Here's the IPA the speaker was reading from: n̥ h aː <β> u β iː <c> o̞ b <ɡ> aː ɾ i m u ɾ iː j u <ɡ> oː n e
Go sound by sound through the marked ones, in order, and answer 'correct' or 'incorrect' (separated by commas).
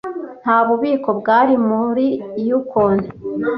correct, incorrect, correct, incorrect